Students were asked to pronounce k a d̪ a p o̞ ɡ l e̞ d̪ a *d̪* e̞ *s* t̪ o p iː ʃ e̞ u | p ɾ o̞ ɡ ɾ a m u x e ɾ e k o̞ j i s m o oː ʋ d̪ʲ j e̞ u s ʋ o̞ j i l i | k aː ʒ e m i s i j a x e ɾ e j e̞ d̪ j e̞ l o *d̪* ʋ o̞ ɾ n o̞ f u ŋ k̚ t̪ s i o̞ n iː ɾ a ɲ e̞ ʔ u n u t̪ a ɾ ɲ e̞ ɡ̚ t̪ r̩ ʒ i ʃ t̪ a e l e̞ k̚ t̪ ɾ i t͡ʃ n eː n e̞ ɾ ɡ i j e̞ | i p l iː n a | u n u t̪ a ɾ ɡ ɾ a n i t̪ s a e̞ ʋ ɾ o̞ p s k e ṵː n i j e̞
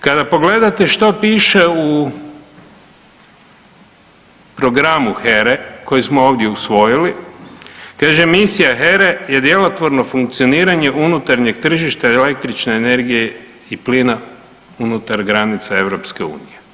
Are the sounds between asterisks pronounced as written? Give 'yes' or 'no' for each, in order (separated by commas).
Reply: no, no, no